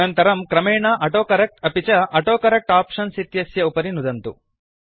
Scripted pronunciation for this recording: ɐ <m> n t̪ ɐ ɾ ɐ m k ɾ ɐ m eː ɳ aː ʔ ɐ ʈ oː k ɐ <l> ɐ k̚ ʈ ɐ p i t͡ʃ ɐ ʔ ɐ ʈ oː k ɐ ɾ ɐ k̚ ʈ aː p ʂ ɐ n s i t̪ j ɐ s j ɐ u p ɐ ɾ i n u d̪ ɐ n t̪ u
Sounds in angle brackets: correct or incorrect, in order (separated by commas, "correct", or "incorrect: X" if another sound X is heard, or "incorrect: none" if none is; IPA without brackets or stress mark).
incorrect: none, incorrect: ɾ